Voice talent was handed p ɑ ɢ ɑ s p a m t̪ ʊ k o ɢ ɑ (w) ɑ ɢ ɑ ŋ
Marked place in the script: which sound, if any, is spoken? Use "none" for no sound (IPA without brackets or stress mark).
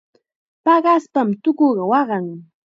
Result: w